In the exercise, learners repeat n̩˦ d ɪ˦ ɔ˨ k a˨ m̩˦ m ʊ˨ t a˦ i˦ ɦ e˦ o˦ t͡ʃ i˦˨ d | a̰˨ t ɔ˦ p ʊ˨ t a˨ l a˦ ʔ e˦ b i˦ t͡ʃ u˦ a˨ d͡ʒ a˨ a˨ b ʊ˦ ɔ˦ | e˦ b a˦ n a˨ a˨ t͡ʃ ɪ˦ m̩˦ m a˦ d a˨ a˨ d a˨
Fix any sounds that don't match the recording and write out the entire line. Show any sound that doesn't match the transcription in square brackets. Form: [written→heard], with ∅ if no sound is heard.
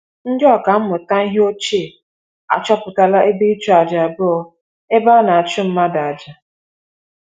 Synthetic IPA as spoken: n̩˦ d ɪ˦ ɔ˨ k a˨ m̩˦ m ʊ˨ t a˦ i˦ ɦ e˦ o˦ t͡ʃ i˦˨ [d→∅] | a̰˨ [t→t͡ʃ] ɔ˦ p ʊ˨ t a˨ l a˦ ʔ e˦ b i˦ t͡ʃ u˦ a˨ d͡ʒ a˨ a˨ b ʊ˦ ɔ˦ | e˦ b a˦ n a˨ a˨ t͡ʃ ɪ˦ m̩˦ m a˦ d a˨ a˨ [d→d͡ʒ] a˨

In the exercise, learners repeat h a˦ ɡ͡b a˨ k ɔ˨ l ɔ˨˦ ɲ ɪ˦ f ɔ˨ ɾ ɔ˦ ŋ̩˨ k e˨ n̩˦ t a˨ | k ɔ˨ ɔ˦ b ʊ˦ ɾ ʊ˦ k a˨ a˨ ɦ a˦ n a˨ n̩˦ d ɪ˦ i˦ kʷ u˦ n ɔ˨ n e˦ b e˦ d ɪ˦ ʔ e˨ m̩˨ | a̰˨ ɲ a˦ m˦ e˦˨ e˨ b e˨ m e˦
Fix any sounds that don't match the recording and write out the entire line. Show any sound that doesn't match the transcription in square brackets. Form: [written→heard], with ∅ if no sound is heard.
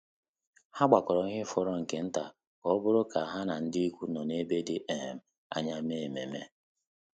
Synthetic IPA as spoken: h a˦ ɡ͡b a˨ k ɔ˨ [l→ɾ] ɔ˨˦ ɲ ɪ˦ f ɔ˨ ɾ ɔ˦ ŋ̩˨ k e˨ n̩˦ t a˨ | k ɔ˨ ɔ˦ b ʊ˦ ɾ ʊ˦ k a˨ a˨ ɦ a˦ n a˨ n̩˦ d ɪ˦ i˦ kʷ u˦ n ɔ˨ n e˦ b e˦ d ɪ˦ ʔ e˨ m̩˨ | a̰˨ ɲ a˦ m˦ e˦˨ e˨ [b→m] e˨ m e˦

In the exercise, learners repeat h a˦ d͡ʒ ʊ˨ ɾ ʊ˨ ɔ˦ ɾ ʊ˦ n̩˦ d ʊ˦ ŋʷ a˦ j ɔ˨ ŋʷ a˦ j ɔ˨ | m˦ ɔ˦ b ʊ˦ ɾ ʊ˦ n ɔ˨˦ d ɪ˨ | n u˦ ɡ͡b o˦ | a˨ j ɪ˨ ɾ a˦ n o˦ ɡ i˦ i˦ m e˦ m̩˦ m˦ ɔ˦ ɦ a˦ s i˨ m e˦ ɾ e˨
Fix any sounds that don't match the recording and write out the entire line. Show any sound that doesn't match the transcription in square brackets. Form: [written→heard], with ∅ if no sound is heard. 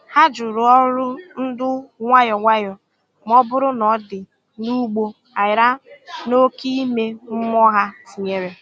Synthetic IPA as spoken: h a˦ d͡ʒ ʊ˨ ɾ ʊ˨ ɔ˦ ɾ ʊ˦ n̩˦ d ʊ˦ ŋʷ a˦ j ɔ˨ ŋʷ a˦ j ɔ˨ | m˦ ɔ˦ b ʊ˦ ɾ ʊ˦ n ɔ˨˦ d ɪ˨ | n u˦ ɡ͡b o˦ | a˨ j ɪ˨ ɾ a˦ n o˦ [ɡ→k] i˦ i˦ m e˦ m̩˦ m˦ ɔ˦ ɦ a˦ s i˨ [m→ɲ] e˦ ɾ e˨

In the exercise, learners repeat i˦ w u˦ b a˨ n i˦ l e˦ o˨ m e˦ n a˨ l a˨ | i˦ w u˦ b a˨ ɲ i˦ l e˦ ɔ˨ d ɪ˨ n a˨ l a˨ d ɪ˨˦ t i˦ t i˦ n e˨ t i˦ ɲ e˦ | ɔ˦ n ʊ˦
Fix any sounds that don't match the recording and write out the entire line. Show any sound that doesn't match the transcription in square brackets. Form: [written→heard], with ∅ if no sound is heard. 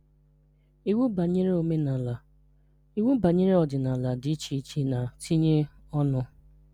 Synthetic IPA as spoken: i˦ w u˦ b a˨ [n→ɲ] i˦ [l→ɾ] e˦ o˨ m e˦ n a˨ l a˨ | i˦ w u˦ b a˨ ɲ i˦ [l→ɾ] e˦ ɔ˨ d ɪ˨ n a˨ l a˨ d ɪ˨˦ [t→t͡ʃ] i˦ [t→t͡ʃ] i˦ n [e˨→a˨] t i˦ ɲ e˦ | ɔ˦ n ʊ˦

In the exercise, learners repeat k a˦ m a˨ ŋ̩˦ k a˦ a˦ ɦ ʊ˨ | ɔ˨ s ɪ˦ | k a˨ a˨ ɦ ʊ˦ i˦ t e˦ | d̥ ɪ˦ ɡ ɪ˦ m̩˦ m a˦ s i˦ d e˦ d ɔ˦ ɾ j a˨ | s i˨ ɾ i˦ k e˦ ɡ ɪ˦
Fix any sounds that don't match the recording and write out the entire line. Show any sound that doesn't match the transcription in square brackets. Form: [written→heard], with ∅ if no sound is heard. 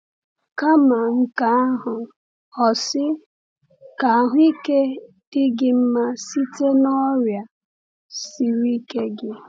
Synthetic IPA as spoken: k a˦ m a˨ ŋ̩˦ k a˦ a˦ ɦ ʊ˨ | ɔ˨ s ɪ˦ | k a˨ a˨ ɦ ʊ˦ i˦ [t→k] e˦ | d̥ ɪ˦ ɡ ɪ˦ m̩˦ m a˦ s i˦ [d→t] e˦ [d→n] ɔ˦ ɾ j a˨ | s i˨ ɾ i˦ k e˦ ɡ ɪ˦

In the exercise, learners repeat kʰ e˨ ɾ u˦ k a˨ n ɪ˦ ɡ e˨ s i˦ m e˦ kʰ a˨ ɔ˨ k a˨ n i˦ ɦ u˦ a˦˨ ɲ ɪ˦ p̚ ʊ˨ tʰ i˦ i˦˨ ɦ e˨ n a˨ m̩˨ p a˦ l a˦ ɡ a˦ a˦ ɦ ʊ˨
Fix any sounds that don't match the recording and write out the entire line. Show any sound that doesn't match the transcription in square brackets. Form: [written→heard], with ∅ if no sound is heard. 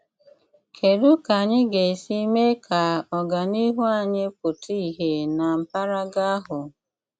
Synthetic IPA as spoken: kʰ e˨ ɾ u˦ k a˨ [n→ɲ] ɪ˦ ɡ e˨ s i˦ m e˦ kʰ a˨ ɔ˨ [k→ɡ] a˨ n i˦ ɦ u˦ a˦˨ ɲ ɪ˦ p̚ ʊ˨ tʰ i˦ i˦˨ ɦ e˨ n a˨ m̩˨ p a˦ [l→ɾ] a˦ ɡ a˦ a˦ ɦ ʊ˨

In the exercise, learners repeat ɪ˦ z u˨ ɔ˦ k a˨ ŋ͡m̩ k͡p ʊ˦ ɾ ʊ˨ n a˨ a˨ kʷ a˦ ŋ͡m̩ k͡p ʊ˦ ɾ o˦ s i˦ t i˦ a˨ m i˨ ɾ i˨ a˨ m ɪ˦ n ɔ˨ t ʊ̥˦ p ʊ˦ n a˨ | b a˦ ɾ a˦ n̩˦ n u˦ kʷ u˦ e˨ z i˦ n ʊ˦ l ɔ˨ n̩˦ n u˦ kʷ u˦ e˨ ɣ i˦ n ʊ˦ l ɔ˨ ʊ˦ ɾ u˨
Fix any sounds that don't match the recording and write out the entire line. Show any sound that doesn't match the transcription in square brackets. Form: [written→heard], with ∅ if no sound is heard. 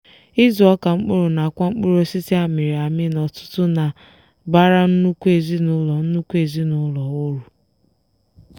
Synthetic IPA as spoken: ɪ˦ z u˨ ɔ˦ k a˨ ŋ͡m̩ k͡p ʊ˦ ɾ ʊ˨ n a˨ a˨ kʷ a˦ ŋ͡m̩ k͡p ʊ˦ ɾ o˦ s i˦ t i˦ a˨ m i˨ ɾ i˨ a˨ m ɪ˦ n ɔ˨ t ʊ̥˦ [p→t] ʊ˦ n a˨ | b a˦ ɾ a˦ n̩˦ n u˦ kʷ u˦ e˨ z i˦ n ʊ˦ l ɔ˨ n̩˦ n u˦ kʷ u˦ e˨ [ɣ→z] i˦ n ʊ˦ l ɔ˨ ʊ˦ ɾ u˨

